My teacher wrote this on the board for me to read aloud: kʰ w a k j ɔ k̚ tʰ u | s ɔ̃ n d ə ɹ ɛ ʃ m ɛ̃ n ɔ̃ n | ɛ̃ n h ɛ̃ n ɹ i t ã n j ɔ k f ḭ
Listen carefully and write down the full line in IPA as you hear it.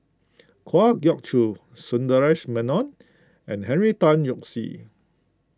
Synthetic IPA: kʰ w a ɡ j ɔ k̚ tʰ u | s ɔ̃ n d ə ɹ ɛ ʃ m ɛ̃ n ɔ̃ n | ɛ̃ n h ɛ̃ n ɹ i t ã n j ɔ k s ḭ